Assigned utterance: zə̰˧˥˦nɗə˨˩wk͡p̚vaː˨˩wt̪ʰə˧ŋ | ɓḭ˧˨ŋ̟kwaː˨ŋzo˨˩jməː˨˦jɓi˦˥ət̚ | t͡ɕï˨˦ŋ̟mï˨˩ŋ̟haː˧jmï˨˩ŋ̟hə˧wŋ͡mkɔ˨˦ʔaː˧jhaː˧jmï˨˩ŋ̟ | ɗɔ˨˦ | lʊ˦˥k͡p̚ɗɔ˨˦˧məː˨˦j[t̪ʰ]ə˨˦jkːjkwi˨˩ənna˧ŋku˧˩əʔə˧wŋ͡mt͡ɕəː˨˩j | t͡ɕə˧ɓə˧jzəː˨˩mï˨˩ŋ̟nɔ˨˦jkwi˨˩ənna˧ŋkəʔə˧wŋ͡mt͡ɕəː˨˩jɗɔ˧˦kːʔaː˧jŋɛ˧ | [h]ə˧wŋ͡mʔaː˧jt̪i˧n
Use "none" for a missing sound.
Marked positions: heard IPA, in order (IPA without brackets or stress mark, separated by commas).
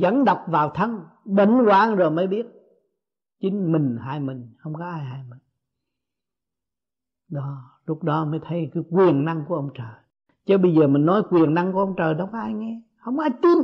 t̪ʰ, h